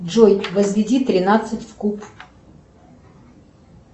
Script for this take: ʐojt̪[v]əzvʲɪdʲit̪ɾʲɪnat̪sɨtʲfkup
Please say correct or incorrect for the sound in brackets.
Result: correct